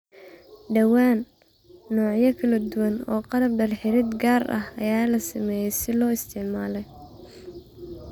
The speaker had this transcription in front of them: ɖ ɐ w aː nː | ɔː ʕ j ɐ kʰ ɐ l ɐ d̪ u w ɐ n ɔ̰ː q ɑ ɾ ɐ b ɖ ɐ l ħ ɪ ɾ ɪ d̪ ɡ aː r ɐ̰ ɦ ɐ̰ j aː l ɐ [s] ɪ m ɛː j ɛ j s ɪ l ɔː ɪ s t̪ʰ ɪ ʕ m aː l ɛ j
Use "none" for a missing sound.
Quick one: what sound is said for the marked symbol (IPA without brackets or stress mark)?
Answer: s